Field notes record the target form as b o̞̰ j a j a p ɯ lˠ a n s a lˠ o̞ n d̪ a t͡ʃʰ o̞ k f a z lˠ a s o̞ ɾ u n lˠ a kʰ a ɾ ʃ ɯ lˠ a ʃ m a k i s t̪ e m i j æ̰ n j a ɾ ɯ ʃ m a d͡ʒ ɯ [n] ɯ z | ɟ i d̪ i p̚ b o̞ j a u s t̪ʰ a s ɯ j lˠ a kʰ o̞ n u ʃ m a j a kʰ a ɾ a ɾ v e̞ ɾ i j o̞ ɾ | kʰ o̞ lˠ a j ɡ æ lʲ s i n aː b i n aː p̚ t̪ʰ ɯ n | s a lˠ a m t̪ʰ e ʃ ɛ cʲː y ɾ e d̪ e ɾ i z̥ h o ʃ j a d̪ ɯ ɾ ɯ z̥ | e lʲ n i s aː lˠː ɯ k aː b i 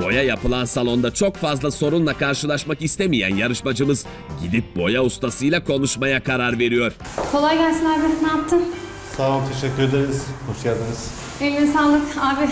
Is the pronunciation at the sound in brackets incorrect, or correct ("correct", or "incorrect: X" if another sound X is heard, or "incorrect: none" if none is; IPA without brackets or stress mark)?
incorrect: m